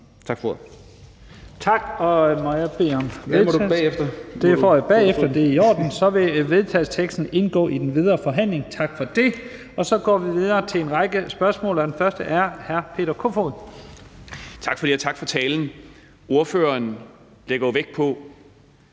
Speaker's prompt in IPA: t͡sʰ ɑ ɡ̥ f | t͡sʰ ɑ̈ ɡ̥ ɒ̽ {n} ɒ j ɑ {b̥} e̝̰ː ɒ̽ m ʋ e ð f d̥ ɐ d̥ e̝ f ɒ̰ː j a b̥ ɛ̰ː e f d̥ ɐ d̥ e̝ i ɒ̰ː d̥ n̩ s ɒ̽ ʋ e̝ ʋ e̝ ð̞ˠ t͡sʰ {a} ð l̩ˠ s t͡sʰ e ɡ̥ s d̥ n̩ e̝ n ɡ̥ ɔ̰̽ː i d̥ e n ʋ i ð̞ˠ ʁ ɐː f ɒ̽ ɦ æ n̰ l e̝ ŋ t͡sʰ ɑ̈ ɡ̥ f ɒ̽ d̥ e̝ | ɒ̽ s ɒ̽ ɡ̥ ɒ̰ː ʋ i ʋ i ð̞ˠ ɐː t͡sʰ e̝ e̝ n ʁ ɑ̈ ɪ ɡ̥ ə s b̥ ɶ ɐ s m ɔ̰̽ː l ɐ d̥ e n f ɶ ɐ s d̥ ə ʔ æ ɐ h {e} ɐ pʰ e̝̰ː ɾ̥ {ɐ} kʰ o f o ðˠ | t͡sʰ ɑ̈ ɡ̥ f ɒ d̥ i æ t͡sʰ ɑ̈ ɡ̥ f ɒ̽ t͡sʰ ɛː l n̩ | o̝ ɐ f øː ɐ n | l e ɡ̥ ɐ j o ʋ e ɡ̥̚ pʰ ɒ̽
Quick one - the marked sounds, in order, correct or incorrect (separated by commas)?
incorrect, correct, incorrect, incorrect, correct